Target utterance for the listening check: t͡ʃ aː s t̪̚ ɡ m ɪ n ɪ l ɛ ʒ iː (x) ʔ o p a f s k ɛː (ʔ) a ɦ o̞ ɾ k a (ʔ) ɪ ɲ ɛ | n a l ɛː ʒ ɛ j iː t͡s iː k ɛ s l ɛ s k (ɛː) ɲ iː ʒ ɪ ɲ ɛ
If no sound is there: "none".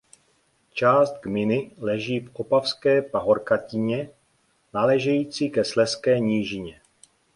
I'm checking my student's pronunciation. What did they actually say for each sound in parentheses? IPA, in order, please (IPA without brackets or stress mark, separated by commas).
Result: f, p, c, ɛː